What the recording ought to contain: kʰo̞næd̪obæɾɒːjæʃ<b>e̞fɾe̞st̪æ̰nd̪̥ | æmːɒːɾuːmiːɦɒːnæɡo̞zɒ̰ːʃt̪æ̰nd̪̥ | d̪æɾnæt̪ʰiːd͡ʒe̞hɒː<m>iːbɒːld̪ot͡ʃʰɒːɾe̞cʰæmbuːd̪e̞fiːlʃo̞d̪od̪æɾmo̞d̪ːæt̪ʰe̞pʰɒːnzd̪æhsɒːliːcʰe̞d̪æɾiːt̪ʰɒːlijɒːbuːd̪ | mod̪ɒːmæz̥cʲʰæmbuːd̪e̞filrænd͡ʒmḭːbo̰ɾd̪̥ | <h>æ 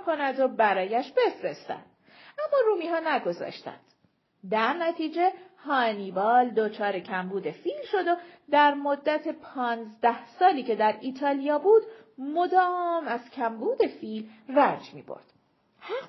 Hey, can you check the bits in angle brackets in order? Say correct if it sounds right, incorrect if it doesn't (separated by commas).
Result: correct, incorrect, correct